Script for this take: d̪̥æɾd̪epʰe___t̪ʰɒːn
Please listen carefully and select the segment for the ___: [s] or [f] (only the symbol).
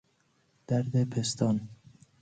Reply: s